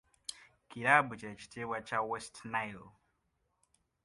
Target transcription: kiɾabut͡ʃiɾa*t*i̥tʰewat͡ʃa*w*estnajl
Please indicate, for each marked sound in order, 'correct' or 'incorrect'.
incorrect, correct

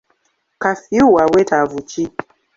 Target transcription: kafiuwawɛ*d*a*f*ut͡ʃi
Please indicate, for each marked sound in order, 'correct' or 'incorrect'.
incorrect, incorrect

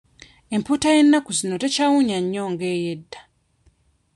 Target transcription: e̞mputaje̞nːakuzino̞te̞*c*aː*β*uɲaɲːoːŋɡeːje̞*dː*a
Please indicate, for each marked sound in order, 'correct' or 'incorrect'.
correct, incorrect, correct

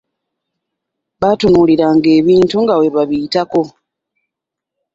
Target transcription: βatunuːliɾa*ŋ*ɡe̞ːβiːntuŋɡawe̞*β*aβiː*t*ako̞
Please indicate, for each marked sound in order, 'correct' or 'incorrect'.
correct, correct, correct

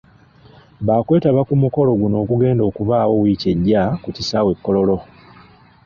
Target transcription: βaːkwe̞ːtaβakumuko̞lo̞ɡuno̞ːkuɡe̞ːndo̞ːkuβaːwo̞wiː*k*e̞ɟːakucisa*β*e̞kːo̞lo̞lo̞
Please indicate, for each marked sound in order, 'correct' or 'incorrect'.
incorrect, incorrect

